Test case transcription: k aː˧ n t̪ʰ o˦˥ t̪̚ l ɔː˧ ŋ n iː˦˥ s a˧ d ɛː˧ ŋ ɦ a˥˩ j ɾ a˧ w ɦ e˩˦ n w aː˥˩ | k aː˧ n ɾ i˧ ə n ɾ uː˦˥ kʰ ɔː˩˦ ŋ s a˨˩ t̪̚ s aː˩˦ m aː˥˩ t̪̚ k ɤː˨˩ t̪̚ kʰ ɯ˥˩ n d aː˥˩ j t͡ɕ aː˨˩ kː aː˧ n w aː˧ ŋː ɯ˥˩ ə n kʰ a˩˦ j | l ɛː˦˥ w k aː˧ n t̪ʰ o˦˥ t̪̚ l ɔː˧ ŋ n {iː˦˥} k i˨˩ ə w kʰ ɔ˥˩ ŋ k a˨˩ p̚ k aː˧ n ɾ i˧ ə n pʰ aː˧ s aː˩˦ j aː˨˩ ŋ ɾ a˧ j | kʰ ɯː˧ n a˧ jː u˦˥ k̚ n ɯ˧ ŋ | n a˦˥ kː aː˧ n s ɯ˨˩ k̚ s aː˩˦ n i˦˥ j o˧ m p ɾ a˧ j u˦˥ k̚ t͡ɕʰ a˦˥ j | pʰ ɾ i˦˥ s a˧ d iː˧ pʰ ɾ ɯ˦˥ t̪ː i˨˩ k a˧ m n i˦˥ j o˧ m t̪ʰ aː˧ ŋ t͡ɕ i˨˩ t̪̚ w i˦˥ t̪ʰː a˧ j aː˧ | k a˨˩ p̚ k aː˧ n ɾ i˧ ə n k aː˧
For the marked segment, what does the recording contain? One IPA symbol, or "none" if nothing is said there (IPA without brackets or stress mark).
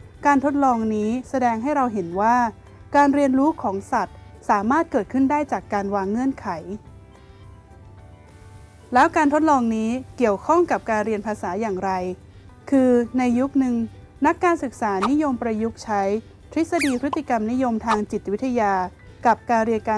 iː˦˥